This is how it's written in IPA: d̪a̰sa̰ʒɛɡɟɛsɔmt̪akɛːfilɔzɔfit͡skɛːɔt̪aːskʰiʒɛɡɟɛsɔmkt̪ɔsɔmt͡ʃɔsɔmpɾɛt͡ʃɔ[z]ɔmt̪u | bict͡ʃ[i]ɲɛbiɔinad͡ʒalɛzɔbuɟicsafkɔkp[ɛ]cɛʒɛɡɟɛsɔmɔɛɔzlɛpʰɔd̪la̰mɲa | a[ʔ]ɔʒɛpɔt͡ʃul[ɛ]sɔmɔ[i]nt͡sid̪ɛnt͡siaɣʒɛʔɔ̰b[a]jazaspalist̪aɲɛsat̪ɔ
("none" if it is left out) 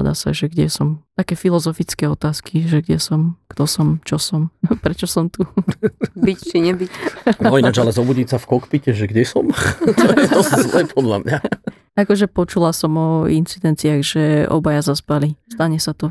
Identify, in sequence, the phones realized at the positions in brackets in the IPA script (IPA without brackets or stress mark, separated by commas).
s, i, i, k, a, i, a